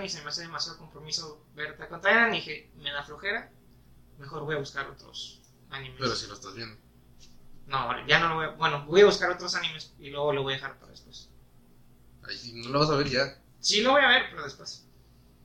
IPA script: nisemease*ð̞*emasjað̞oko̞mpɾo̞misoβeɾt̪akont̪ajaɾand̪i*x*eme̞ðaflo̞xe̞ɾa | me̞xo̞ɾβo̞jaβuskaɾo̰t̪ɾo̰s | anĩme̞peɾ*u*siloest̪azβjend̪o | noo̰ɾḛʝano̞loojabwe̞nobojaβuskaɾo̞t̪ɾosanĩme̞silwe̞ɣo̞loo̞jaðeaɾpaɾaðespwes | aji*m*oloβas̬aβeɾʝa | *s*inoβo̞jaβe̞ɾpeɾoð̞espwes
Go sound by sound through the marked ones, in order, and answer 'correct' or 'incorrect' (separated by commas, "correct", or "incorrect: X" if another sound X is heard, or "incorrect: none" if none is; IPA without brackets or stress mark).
correct, correct, incorrect: o, incorrect: n, correct